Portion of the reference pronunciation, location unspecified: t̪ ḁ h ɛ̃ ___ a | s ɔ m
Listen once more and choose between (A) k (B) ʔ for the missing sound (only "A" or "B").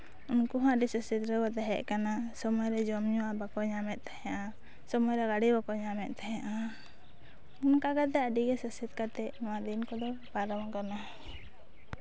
B